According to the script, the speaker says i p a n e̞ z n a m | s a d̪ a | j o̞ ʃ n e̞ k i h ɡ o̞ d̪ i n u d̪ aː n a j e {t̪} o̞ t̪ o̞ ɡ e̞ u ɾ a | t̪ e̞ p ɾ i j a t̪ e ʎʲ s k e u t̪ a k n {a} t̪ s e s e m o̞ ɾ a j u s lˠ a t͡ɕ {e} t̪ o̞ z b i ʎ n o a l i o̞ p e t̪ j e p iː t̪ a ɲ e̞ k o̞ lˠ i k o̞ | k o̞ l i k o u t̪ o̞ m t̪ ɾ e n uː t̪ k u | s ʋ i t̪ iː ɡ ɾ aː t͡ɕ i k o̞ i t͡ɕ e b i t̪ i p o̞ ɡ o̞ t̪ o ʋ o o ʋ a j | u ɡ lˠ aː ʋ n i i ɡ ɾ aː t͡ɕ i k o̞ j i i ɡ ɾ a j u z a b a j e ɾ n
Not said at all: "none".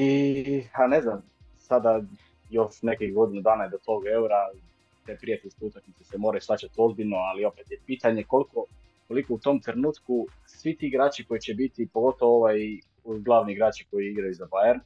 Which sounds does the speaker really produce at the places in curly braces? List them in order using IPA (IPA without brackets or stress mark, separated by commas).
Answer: d̪, i, a